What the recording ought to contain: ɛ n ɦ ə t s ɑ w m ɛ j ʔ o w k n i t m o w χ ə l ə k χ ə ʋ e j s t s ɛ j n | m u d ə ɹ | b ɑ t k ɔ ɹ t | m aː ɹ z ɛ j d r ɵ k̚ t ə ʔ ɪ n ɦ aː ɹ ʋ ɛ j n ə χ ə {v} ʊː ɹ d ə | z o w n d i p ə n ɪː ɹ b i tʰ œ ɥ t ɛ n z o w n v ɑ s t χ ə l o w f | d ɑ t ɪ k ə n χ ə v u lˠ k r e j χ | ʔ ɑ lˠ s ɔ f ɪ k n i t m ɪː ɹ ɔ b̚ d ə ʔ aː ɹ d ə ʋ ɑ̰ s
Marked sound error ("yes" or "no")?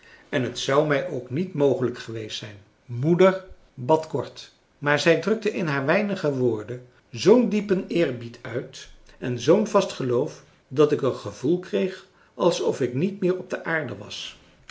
yes